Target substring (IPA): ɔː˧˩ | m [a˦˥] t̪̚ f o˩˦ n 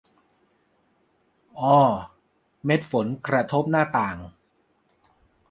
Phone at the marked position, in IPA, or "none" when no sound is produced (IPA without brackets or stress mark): e˦˥